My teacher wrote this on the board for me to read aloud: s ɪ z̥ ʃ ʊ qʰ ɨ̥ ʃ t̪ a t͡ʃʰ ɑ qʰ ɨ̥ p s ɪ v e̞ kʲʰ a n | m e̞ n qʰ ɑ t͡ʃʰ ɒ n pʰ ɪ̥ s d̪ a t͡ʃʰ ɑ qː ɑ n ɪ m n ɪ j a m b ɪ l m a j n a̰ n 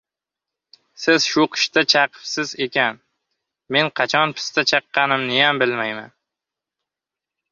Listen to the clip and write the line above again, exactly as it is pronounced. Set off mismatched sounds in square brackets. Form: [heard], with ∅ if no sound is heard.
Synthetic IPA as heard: s ɪ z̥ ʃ ʊ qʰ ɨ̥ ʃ t̪ a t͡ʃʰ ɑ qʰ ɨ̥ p s ɪ [z] e̞ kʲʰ a n | m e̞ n qʰ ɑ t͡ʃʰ ɒ n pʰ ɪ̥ s [t̪] a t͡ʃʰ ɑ qː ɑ n ɪ m n ɪ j a m b ɪ l m a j [m] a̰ n